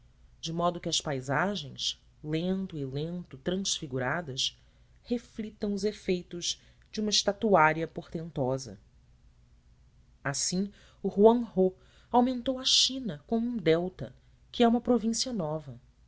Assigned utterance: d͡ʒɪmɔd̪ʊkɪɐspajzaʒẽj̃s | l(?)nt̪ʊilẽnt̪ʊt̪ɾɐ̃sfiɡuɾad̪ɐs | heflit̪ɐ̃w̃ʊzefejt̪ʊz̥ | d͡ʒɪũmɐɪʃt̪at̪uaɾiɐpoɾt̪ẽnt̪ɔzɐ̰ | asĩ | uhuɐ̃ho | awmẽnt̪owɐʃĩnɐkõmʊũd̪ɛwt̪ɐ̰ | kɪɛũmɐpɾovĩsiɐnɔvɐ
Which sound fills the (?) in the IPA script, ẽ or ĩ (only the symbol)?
ẽ